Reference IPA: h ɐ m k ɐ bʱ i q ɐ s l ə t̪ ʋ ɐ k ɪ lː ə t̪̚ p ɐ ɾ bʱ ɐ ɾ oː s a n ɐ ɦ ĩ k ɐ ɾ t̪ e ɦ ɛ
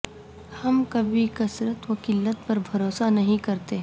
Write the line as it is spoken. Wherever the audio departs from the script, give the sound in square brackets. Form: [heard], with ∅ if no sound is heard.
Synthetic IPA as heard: h ɐ m k ɐ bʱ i [k] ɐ s [ɾ] ə t̪ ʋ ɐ k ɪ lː ə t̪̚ p ɐ ɾ bʱ ɐ ɾ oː s a n ɐ ɦ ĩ k ɐ ɾ t̪ e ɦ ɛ

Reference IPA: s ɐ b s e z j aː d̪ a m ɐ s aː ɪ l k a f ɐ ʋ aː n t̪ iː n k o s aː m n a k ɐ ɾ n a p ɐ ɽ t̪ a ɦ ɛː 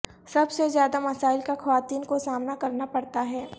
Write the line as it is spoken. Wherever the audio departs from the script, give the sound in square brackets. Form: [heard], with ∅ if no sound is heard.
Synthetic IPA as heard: s ɐ b s e z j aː d̪ a m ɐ s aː ɪ l k a [x] ɐ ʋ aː [∅] t̪ iː n k o s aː m n a k ɐ ɾ n a p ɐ ɽ t̪ a ɦ ɛː

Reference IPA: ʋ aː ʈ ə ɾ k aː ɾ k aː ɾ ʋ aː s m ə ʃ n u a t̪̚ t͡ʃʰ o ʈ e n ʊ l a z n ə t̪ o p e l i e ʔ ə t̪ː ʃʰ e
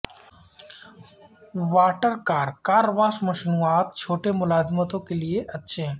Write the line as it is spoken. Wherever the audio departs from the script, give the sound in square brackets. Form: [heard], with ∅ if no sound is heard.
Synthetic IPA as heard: ʋ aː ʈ ə ɾ k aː ɾ k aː ɾ ʋ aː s m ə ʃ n u a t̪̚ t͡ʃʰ o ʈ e [m] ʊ l a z [m] ə t̪ o [k] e l i e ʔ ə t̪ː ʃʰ e

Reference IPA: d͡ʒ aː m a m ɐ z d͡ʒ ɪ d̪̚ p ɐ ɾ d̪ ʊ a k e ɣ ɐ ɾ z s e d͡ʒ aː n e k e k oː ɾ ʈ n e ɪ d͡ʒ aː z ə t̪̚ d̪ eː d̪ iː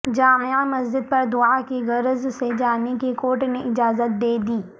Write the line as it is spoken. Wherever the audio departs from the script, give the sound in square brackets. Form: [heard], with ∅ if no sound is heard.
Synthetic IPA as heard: d͡ʒ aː m a m ɐ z d͡ʒ ɪ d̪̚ p ɐ ɾ d̪ ʊ a k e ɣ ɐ ɾ z s e d͡ʒ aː n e k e k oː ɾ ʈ n e ɪ d͡ʒ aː z ə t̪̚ d̪ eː d̪ iː

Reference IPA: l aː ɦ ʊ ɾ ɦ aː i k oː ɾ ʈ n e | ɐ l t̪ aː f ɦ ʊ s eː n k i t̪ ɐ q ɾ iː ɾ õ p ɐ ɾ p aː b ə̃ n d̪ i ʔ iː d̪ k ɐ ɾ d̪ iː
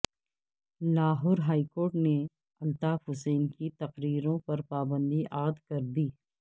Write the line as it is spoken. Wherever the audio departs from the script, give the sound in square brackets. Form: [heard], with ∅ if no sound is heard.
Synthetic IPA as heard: l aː ɦ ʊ ɾ ɦ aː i k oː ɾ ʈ n e | ɐ l t̪ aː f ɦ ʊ s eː n k i t̪ ɐ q ɾ iː ɾ õ p ɐ ɾ p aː b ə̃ n d̪ i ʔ [aː] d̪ k ɐ ɾ d̪ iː

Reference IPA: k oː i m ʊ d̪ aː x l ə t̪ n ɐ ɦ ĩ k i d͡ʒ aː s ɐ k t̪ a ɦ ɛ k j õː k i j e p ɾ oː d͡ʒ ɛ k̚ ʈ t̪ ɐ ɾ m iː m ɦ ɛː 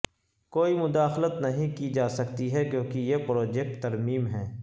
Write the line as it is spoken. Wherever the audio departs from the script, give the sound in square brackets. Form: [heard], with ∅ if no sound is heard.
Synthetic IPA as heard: k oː i m ʊ d̪ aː x l ə t̪ n ɐ ɦ ĩ k i d͡ʒ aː s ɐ k t̪ [i] ɦ ɛ k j õː k i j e p ɾ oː d͡ʒ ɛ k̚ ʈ t̪ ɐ ɾ m iː m ɦ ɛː

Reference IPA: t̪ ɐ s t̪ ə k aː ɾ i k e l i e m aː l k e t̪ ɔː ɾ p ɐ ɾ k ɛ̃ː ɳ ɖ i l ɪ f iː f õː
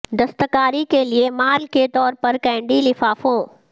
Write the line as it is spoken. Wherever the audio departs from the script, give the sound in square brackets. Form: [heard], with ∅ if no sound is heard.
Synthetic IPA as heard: [d̪] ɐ s t̪ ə k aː ɾ i k e l i e m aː l k e t̪ ɔː ɾ p ɐ ɾ k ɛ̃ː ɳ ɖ i l ɪ f [aː] f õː

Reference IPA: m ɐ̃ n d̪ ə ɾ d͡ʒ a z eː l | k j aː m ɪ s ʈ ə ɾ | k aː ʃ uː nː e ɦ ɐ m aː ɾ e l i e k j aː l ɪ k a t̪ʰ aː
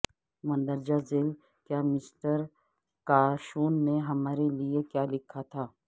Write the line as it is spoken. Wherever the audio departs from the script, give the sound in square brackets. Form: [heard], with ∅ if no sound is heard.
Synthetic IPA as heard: m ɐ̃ n d̪ ə ɾ d͡ʒ a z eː l | k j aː m ɪ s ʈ ə ɾ | k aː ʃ uː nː e ɦ ɐ m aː ɾ e l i e k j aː l ɪ [kʰ] a t̪ʰ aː

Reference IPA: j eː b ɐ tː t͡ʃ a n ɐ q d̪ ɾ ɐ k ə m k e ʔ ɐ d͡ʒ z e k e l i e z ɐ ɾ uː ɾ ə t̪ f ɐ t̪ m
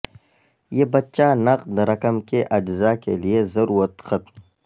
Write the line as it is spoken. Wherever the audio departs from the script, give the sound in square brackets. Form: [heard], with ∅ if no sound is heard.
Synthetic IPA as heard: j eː b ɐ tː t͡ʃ a n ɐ q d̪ ɾ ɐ k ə m k e ʔ ɐ d͡ʒ z [a] k e l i e z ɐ ɾ uː ɾ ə t̪ [x] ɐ t̪ m

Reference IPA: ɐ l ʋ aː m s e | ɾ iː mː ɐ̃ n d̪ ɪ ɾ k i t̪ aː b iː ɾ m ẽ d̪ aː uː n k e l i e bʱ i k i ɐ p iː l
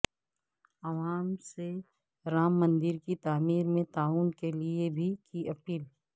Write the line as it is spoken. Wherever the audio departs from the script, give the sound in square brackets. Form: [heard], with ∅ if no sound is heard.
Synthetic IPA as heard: ɐ [∅] ʋ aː m s e | ɾ [aː] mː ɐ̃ n d̪ ɪ ɾ k i t̪ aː [m] iː ɾ m ẽ [t̪] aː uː n k e l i e bʱ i k i ɐ p iː l

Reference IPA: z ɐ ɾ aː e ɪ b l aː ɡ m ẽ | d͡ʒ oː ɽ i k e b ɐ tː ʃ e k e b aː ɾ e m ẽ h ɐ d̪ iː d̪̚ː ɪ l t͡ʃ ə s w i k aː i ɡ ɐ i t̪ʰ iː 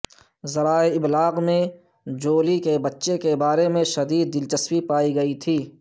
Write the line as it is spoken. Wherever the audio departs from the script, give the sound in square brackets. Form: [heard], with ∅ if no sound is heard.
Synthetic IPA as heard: z ɐ ɾ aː e ɪ b l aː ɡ m ẽ | d͡ʒ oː [l] i k e b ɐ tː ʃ e k e b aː ɾ e m ẽ [ʃ] ɐ d̪ iː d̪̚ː ɪ l t͡ʃ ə s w i [p] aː i ɡ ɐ i t̪ʰ iː

